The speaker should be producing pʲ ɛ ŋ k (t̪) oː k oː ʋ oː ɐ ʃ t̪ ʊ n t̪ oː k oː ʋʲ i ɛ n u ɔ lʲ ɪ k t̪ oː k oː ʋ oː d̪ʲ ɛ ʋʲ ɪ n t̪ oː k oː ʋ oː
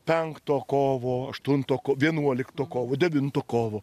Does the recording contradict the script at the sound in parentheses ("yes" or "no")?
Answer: no